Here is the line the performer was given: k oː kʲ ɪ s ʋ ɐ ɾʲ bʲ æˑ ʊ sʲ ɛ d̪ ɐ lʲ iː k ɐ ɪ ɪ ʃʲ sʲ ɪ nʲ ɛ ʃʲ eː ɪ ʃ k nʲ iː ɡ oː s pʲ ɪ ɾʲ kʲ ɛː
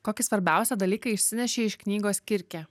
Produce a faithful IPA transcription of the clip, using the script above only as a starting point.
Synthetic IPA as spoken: k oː kʲ ɪ s ʋ ɐ ɾʲ bʲ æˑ ʊ sʲ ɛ d̪ ɐ lʲ iː k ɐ ɪ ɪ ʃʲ sʲ ɪ nʲ ɛ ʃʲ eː ɪ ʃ k nʲ iː ɡ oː s kʲ ɪ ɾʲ kʲ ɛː